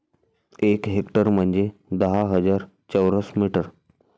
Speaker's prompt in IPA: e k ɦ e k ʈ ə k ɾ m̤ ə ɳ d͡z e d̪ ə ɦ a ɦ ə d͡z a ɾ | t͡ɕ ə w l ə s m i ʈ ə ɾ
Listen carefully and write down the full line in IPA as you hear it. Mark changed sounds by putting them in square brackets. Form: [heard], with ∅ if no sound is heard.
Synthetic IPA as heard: e k ɦ e k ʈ ə [∅] ɾ m̤ ə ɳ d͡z e d̪ ə ɦ a ɦ ə d͡z a ɾ | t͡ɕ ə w [ɾ] ə s m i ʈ ə ɾ